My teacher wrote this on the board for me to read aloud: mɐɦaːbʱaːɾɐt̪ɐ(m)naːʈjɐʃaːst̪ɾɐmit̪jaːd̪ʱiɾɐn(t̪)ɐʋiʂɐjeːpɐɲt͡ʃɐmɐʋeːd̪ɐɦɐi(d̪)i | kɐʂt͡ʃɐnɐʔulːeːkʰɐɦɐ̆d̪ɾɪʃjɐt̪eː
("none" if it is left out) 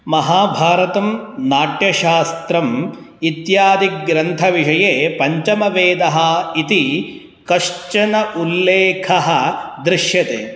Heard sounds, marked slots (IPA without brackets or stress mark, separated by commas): m, t̪ʰ, t̪